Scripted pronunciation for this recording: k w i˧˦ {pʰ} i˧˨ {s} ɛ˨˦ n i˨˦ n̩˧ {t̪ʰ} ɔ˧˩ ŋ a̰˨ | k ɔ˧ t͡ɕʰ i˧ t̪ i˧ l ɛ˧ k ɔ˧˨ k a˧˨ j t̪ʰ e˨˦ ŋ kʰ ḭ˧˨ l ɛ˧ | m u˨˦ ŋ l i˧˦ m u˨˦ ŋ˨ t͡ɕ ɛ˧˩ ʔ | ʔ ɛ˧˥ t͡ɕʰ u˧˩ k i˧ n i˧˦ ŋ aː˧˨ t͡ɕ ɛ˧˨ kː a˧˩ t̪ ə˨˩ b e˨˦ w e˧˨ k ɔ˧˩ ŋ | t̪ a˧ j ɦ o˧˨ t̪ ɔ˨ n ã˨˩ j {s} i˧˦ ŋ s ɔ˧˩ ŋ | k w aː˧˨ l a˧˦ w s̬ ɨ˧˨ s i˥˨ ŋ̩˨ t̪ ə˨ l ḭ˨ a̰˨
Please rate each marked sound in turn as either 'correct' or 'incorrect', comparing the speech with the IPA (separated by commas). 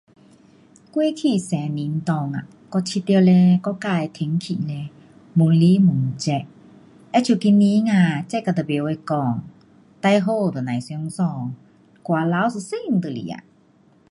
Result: incorrect, correct, incorrect, correct